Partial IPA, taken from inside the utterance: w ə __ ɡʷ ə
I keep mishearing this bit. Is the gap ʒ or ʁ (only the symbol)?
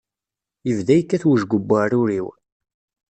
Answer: ʒ